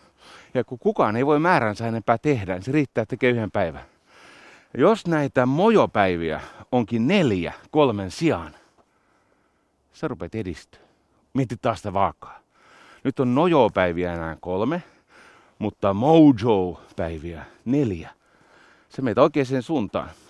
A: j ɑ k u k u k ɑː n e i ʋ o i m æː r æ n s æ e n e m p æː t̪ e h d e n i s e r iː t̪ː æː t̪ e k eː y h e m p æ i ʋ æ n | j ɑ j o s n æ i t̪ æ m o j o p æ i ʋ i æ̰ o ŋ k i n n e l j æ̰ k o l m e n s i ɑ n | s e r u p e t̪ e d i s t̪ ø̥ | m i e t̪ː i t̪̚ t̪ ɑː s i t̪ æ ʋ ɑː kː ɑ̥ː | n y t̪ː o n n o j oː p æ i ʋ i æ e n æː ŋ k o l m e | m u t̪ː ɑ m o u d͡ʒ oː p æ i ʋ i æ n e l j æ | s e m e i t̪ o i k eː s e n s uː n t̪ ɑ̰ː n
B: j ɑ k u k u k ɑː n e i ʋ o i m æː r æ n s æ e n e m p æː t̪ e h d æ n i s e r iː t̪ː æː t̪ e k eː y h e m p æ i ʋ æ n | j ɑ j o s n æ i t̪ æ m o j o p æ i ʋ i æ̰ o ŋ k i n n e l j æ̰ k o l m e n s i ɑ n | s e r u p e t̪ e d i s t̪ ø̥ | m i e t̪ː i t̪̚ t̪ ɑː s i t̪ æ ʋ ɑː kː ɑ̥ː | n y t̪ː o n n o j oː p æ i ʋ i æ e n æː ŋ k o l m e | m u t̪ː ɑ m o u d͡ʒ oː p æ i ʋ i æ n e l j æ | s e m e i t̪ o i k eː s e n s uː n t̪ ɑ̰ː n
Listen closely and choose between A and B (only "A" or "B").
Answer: B